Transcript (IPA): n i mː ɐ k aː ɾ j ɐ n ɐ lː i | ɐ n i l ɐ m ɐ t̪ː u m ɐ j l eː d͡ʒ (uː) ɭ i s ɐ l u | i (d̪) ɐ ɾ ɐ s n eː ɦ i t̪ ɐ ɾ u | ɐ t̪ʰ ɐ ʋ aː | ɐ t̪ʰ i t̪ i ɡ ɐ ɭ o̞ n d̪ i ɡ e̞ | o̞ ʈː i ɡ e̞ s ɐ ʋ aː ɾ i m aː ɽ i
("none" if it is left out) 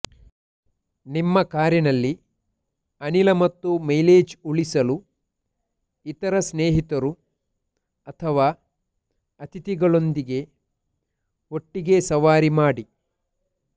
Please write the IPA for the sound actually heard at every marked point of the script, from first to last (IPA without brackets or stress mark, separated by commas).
u, t̪